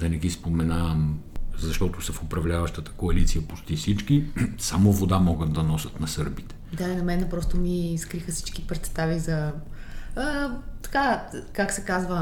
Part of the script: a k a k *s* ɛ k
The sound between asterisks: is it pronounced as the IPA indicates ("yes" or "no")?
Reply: yes